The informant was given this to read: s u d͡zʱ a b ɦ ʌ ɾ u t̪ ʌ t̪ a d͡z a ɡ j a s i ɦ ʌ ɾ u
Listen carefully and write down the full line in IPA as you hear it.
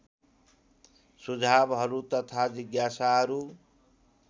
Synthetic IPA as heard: s u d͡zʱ a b ɦ ʌ ɾ u t̪ ʌ t̪ʰ a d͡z i ɡ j a s a ɦ ʌ ɾ u